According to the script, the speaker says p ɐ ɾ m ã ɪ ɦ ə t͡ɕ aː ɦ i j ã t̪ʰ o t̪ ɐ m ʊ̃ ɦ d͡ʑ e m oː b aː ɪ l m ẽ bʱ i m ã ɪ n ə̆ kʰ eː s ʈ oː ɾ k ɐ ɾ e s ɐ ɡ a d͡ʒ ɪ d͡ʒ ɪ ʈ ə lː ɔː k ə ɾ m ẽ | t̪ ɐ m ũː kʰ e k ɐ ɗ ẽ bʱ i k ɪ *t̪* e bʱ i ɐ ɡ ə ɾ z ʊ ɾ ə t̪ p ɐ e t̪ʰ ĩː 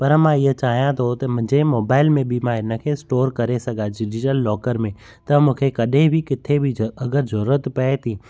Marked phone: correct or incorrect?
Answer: incorrect